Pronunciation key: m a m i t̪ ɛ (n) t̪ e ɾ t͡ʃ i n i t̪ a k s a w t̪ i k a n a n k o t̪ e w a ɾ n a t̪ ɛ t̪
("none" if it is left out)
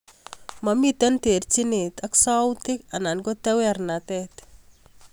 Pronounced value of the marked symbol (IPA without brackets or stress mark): n